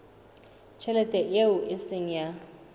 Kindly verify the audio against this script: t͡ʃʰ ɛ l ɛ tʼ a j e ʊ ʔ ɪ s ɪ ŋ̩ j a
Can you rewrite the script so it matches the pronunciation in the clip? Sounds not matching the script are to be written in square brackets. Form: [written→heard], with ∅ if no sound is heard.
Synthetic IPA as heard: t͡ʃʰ ɛ l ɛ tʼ [a→ɛ] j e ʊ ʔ ɪ s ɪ ŋ̩ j a